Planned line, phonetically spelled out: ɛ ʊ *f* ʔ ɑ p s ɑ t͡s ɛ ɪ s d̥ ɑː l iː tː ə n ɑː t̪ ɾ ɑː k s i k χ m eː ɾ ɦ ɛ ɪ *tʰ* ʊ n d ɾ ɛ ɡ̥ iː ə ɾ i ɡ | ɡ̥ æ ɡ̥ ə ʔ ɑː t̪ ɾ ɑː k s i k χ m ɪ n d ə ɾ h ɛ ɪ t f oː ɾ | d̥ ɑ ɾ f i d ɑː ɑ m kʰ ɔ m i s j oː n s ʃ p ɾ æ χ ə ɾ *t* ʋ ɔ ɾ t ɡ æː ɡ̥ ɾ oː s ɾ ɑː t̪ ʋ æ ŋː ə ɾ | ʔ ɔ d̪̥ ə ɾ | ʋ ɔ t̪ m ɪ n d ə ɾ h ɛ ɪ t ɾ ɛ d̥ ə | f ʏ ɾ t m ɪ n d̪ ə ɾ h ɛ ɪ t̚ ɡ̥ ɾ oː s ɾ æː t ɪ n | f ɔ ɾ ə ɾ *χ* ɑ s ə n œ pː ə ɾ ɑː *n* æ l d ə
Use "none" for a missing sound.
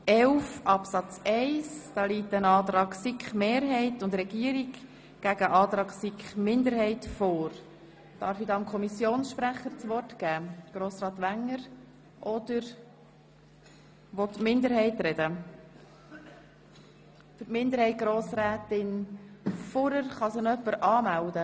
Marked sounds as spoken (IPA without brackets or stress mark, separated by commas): f, t, t͡s, χ, m